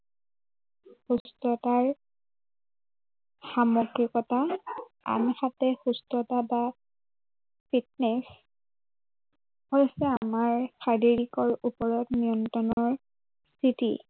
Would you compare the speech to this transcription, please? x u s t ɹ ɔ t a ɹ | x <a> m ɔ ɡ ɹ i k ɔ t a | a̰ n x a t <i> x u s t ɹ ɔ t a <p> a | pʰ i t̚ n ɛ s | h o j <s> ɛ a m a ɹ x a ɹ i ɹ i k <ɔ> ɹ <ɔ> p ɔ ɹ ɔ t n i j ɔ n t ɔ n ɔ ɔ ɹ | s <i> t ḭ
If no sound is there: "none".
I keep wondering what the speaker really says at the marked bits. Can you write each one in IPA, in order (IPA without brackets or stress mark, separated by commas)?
a, ɛ, b, s, ɔ, u, i